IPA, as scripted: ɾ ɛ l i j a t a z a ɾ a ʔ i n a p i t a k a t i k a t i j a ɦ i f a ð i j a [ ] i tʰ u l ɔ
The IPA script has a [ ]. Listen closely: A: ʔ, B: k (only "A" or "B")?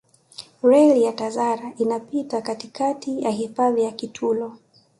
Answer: B